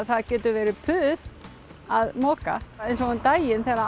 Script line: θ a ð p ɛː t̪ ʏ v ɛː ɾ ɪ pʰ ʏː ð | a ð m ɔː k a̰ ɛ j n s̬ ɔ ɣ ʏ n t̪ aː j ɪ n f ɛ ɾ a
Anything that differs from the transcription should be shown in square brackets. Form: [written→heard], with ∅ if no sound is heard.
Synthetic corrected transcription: θ a ð [p→c] ɛː t̪ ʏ v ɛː ɾ ɪ pʰ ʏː ð | a ð m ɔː k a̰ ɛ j n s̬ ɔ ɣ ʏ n t̪ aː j ɪ n [f→θ] ɛ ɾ a

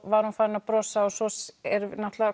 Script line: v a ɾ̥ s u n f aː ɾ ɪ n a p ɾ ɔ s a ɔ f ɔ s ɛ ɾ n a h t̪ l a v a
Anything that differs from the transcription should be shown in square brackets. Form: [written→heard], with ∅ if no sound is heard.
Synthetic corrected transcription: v a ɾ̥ [s→h] u n f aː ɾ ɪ n a p ɾ ɔ s a ɔ [f→s] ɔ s ɛ ɾ n a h t̪ l a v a

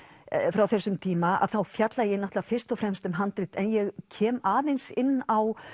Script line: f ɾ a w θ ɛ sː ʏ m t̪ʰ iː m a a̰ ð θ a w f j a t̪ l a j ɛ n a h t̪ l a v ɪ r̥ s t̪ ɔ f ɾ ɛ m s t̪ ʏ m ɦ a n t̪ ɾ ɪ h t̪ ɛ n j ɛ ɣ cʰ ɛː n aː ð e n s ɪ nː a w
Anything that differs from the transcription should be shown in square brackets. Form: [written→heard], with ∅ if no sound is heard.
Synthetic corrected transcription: f ɾ a w θ ɛ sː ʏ m t̪ʰ iː m a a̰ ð θ a w f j a t̪ l a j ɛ n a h t̪ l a [v→f] ɪ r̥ s t̪ ɔ f ɾ ɛ m s t̪ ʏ m ɦ a n t̪ ɾ ɪ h t̪ ɛ n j ɛ ɣ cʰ ɛː [n→m] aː ð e n s ɪ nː a w

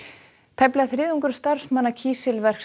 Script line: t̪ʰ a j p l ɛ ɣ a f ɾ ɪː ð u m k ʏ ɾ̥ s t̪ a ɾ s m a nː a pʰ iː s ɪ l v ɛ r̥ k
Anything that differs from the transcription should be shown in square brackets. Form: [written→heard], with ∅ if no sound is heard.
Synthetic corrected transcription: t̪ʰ a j p l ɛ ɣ a [f→θ] ɾ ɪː ð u [m→ŋ] k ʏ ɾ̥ s t̪ a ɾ s m a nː a [pʰ→cʰ] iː s ɪ l v ɛ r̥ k

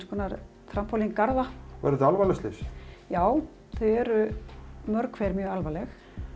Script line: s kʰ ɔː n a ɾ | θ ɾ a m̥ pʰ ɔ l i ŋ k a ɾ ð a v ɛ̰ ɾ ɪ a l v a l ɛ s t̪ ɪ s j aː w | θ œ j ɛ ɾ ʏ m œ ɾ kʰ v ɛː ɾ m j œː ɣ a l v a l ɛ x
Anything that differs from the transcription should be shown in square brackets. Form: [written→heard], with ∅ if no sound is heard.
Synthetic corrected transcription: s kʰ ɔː n a ɾ | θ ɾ a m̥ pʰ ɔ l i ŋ k a ɾ ð a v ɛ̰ ɾ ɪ a l v a l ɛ s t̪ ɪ s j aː w | θ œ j ɛ ɾ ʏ m œ ɾ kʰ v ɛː ɾ m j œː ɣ a l v a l ɛ x

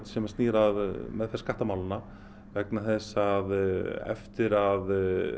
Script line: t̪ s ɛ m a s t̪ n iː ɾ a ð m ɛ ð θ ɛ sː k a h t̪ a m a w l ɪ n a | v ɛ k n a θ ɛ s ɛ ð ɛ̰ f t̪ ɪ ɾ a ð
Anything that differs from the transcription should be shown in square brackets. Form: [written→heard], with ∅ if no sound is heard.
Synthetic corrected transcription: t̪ s ɛ m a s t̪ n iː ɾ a ð m ɛ ð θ ɛ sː k a h t̪ a m a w l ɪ n a | v ɛ k n a θ ɛ s [ɛ→a] ð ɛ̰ f t̪ ɪ ɾ a ð

